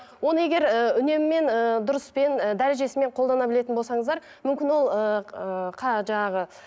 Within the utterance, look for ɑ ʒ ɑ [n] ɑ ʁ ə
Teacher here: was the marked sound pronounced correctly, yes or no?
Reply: no